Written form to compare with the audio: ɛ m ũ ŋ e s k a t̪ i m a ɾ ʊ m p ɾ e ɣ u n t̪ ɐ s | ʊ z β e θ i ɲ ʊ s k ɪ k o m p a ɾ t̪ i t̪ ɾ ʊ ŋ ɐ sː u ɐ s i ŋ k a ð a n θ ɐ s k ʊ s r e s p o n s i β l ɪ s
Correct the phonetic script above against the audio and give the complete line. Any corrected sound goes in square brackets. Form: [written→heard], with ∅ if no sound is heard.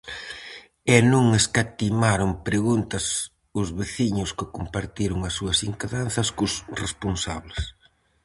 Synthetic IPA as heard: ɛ [m→n] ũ ŋ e s k a t̪ i m a ɾ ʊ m p ɾ e ɣ u n t̪ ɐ s | ʊ z β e θ i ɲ ʊ s k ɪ k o m p a ɾ t̪ i [t̪→∅] ɾ ʊ ŋ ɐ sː u ɐ s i ŋ k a ð a n θ ɐ s k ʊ s r e s p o n s [i→a] β l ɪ s